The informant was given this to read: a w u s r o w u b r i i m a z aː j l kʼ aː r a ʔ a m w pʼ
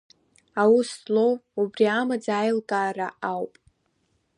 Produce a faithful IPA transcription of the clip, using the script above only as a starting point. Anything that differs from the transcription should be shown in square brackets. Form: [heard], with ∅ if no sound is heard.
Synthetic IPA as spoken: a w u s [l] o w u b r i [a] m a [d͡z] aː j l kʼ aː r a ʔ a [∅] w pʼ